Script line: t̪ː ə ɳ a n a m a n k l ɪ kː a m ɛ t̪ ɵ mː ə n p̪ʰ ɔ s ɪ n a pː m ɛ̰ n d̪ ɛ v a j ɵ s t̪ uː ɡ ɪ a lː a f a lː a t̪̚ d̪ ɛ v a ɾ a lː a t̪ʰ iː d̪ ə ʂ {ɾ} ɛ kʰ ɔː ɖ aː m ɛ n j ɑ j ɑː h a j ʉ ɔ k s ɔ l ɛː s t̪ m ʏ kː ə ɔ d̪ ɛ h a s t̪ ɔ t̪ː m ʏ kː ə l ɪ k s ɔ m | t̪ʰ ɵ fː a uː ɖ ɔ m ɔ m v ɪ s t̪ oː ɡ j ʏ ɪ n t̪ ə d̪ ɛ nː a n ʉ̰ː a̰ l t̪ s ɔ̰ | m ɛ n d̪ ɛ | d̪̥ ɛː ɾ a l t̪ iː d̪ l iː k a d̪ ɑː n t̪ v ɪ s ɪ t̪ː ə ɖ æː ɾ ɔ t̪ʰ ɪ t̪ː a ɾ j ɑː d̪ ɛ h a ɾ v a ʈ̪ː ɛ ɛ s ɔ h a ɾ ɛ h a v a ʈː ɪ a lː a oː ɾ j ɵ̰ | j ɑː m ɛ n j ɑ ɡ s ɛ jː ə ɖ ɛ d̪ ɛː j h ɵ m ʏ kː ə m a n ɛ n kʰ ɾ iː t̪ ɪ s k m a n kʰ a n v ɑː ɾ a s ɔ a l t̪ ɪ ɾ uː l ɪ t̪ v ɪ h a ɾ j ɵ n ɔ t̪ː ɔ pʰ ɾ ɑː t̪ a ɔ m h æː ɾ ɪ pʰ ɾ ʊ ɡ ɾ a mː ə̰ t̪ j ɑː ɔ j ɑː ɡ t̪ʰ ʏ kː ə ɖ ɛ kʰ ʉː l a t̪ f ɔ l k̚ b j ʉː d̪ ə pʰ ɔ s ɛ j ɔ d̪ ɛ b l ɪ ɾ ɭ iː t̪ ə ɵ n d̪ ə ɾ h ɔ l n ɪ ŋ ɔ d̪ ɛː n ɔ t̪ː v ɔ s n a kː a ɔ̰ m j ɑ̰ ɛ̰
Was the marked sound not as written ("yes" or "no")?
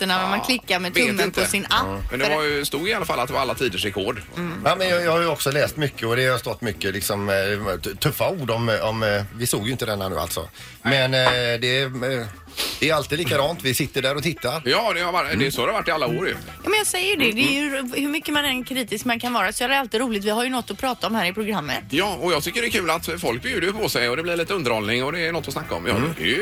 no